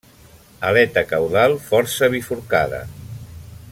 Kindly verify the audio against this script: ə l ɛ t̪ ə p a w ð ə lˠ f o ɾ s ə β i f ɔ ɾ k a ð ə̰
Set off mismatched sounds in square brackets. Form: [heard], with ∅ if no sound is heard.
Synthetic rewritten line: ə l ɛ t̪ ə [k] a w ð [a] lˠ f [ɔ] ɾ s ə β i f [u] ɾ k a ð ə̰